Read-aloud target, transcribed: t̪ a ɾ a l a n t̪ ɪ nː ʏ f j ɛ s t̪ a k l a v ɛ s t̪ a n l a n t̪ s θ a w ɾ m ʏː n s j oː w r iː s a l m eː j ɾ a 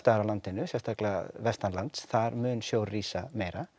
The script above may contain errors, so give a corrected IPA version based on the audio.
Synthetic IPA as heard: t̪ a ɾ a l a n t̪ ɪ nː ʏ s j ɛ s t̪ a k l a v ɛ s t̪ a n l a n t̪ s θ a ɾ m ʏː n s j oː w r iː s a m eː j ɾ a